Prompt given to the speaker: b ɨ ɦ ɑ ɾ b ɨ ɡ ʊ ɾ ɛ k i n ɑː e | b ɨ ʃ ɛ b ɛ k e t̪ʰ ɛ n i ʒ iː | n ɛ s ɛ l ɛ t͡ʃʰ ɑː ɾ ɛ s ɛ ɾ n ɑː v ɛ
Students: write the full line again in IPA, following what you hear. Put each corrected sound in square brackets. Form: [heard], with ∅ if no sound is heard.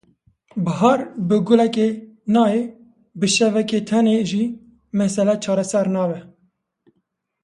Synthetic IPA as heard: b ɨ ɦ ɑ ɾ b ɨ ɡ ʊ [l] ɛ k [e] n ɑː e | b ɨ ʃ ɛ [v] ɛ k e t̪ʰ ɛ n [e] ʒ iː | [m] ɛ s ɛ l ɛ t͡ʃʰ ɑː ɾ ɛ s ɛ ɾ n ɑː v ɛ

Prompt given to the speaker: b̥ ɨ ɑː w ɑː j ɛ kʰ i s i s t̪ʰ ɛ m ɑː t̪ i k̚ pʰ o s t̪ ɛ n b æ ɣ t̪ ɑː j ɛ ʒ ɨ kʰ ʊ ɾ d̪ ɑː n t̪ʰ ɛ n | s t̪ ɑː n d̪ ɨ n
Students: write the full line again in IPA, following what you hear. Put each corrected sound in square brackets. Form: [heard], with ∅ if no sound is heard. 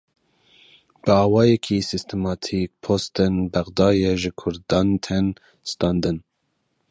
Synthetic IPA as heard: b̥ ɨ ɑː w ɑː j ɛ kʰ i s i s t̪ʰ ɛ m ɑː [t̪ʰ] i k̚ pʰ o s t̪ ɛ n b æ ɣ [d̪] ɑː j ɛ ʒ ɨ kʰ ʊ ɾ d̪ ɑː n t̪ʰ ɛ n | s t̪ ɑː n d̪ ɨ n

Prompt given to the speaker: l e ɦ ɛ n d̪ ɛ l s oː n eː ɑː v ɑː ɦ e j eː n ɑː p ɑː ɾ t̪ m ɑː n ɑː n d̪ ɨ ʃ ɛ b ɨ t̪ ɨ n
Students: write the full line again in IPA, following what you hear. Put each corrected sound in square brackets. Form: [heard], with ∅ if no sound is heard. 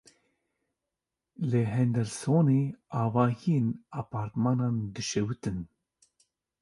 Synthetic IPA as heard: l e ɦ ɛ n d̪ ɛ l s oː n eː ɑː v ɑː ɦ [i] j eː n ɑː p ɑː ɾ t̪ m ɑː n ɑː n d̪ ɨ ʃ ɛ [w] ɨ t̪ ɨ n

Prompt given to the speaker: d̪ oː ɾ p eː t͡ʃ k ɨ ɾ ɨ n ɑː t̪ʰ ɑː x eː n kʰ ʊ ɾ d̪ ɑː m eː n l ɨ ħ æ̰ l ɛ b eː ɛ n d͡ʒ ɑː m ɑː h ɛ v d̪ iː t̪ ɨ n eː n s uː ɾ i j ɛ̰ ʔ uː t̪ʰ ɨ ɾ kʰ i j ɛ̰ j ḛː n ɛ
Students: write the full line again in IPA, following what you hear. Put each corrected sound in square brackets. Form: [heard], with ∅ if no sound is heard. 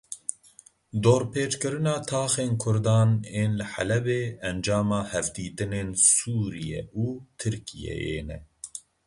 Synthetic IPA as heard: d̪ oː ɾ p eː t͡ʃ k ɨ ɾ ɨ n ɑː t̪ʰ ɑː x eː n kʰ ʊ ɾ d̪ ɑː [n] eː n l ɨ ħ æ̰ l ɛ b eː ɛ n d͡ʒ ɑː m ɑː h ɛ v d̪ iː t̪ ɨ n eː n s uː ɾ i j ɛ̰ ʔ uː t̪ʰ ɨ ɾ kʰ i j ɛ̰ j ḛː n ɛ

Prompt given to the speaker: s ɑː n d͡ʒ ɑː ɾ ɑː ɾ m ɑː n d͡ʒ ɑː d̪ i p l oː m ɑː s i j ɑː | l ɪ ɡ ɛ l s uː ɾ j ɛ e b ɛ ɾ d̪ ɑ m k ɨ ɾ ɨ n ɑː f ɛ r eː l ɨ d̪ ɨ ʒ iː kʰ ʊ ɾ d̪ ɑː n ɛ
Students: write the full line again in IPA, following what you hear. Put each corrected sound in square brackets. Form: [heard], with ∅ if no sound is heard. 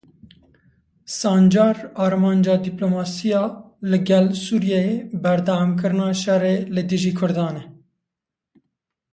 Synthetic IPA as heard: s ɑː n d͡ʒ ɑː ɾ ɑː ɾ m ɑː n d͡ʒ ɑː d̪ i p l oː m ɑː s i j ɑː | l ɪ ɡ ɛ l s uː ɾ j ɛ e b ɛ ɾ d̪ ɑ m k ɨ ɾ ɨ n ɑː [ʃ] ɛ r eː l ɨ d̪ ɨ ʒ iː kʰ ʊ ɾ d̪ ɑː n ɛ

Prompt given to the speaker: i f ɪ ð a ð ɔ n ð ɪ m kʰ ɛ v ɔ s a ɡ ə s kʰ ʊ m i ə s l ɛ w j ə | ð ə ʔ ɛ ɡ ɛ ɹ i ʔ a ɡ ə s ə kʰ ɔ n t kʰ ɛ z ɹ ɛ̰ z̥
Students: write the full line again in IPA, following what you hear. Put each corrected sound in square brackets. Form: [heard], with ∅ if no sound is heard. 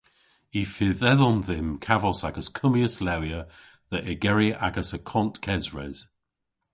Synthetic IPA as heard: i f ɪ ð [ɛ] ð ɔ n ð ɪ m kʰ [a] v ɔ s a ɡ ə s kʰ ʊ m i ə s l ɛ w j ə | ð ə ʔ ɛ ɡ ɛ ɹ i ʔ a ɡ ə s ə kʰ ɔ n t kʰ ɛ z ɹ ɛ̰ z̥

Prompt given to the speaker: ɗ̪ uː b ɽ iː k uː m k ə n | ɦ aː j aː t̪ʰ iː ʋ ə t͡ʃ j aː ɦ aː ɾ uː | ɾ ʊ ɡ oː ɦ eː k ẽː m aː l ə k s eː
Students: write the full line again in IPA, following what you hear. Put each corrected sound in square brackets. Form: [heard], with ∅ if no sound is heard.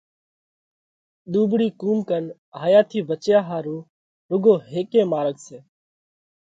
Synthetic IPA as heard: ɗ̪ uː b ɽ iː k uː m k ə n | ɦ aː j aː t̪ʰ iː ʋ ə t͡ʃ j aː ɦ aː ɾ uː | ɾ ʊ ɡ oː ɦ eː k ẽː m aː [ɾ] ə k s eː

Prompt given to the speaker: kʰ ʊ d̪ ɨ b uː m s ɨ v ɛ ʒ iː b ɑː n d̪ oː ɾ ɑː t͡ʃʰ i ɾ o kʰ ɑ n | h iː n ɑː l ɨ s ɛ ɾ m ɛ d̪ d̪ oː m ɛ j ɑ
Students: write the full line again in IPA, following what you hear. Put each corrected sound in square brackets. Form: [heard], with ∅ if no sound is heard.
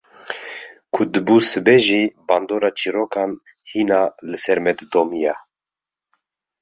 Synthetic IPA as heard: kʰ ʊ d̪ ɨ b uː [∅] s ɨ [b] ɛ ʒ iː b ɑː n d̪ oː ɾ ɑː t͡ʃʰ i ɾ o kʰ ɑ n | h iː n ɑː l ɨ s ɛ ɾ m ɛ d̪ d̪ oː m [i] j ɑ

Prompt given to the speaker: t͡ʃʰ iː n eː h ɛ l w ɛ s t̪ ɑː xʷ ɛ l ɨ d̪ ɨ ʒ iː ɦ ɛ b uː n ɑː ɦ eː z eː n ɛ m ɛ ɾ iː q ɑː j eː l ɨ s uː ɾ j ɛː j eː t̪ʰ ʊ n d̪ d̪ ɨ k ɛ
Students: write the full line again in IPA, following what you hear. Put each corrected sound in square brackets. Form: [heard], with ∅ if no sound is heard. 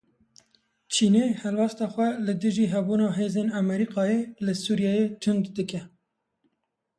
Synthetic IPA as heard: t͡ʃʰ iː n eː h ɛ l w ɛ s t̪ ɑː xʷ ɛ l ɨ d̪ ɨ ʒ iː ɦ ɛ b uː n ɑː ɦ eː z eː n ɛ m ɛ ɾ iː q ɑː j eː l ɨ s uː ɾ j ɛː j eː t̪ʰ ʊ n d̪ d̪ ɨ k ɛ

